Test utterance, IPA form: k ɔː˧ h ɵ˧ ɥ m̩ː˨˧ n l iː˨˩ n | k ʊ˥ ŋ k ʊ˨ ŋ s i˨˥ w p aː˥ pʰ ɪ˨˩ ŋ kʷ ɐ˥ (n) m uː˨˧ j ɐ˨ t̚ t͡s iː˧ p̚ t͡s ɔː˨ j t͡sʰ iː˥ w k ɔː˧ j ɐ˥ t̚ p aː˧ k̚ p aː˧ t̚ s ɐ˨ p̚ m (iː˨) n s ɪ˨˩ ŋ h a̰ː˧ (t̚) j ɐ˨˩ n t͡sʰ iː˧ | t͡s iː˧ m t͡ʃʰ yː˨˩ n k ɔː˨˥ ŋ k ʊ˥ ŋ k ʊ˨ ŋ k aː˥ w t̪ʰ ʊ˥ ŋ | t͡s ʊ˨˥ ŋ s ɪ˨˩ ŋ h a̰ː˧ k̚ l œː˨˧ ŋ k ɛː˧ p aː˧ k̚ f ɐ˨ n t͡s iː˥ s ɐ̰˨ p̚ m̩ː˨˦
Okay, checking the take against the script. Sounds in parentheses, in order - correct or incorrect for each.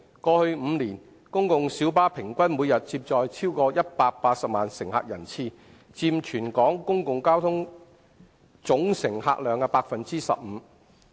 correct, incorrect: aː˨, incorrect: k̚

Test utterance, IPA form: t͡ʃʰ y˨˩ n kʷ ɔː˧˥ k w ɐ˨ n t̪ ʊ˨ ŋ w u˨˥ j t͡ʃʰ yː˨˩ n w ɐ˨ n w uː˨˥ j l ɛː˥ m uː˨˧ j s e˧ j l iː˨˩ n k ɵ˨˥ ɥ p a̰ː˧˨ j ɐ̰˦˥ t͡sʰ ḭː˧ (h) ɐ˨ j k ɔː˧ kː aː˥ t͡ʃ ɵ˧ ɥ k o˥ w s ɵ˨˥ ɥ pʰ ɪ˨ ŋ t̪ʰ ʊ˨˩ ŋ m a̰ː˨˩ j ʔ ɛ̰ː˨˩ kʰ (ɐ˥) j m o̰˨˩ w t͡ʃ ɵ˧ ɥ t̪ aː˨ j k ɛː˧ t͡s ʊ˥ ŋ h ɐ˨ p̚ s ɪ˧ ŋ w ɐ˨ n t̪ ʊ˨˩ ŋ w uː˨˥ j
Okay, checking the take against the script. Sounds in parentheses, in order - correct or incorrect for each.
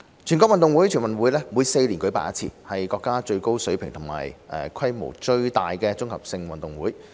correct, correct

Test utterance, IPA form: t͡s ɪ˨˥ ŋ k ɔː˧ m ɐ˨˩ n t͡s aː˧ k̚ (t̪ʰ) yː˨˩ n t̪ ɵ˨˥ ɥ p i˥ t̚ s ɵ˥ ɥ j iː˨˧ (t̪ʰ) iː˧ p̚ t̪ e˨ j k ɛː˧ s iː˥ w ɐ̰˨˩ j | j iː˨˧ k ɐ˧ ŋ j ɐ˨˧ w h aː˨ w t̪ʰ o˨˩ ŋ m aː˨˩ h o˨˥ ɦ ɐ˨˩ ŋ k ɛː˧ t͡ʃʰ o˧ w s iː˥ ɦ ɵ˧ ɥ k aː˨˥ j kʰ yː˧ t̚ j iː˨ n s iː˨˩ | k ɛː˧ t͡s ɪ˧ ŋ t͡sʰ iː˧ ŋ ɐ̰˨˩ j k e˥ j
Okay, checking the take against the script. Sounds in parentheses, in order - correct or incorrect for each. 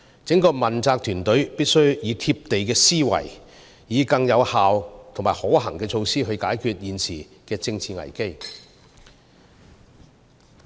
correct, correct

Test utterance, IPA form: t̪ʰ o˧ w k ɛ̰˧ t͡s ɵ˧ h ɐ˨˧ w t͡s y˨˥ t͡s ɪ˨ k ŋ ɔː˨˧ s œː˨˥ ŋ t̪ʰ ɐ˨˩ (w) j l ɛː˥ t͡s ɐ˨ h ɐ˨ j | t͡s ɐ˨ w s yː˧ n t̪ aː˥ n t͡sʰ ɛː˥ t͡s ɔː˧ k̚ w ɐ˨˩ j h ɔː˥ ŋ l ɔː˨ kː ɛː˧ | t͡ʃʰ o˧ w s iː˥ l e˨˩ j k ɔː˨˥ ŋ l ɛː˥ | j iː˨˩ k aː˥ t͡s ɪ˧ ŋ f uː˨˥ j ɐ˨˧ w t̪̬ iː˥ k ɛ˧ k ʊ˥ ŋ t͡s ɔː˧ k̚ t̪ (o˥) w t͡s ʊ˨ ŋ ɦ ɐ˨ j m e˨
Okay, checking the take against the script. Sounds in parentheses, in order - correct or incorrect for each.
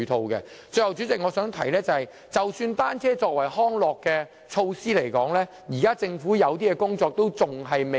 incorrect: none, correct

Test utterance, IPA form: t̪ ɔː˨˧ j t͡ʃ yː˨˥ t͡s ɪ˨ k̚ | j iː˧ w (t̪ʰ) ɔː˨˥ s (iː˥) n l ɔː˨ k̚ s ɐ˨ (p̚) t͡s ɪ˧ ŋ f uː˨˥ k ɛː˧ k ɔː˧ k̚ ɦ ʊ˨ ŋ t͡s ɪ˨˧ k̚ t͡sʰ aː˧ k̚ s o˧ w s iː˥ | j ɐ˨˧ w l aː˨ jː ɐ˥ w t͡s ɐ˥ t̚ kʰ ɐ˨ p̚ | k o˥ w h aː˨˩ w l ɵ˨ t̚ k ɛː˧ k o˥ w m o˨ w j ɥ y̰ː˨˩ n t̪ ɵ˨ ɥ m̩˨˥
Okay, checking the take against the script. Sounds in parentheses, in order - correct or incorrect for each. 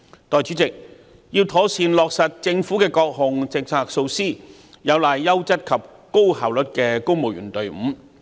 correct, incorrect: iː˧, incorrect: t̚

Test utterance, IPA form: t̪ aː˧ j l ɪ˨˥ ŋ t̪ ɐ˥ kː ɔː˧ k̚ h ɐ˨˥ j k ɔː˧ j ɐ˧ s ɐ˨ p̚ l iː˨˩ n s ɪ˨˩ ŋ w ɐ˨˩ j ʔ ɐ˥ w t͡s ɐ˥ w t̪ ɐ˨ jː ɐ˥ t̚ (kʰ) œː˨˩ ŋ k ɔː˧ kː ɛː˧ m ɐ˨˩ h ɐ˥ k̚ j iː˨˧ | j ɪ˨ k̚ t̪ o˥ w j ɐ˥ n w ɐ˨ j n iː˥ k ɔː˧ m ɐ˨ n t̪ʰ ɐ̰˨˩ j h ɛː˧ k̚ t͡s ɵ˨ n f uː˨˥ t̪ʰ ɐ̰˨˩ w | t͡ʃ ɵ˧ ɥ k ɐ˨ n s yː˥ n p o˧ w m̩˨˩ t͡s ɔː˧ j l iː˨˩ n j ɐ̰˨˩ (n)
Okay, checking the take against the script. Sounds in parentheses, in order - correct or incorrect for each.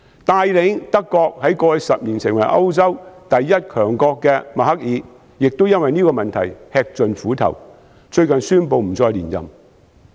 correct, incorrect: m

